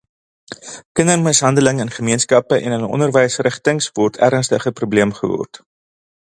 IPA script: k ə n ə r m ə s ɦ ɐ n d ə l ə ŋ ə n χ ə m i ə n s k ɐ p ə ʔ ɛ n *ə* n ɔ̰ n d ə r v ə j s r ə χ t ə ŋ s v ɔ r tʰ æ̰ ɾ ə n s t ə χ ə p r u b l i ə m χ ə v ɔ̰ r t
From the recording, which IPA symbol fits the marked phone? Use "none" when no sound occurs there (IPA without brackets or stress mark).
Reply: ə